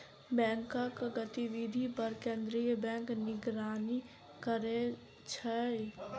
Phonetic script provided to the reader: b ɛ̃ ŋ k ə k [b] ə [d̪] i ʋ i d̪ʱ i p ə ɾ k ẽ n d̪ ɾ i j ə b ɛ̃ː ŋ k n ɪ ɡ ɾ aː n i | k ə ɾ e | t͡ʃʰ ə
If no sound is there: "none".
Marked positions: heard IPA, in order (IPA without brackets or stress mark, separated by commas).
ɡ, t̪